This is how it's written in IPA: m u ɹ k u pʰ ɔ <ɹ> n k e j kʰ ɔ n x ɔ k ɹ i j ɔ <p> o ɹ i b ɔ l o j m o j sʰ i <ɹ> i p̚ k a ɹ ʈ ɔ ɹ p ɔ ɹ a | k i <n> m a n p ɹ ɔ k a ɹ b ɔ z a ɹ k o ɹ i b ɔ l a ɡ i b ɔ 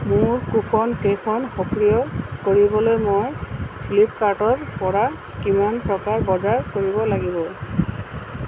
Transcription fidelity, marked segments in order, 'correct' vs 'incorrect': incorrect, incorrect, incorrect, incorrect

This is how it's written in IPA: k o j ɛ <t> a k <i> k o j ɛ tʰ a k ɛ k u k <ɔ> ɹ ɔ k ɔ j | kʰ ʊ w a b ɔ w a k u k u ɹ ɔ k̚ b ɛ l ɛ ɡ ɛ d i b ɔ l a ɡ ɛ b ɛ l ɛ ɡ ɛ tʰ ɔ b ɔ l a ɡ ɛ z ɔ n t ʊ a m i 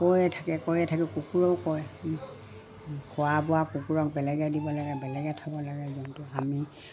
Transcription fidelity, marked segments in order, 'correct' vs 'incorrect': incorrect, incorrect, incorrect

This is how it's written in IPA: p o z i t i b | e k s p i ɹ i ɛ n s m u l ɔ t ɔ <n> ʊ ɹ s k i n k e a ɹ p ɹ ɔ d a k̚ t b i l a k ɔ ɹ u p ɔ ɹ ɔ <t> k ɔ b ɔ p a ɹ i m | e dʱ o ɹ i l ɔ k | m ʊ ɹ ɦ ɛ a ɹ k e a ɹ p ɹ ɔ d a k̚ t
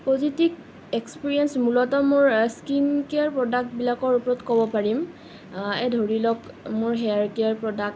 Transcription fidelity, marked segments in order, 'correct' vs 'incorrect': incorrect, correct

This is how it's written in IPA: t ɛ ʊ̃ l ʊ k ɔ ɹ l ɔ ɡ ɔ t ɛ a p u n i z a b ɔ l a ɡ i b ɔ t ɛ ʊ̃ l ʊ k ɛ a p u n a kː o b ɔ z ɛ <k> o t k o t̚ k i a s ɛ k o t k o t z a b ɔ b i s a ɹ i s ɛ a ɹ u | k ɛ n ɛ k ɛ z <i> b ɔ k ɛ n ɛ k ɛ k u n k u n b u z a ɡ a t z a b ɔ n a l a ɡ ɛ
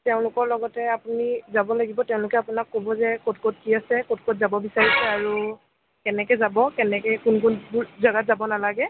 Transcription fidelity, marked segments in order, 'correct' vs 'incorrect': correct, incorrect

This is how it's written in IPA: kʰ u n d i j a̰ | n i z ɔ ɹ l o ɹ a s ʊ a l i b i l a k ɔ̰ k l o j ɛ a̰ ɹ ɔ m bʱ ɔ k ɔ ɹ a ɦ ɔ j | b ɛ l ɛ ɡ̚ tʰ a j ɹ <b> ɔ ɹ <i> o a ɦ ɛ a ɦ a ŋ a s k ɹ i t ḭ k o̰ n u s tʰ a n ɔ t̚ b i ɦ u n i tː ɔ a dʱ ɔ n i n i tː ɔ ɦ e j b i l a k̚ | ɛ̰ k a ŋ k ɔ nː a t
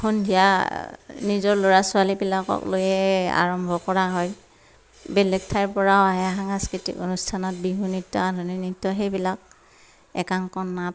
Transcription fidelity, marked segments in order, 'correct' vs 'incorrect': incorrect, incorrect

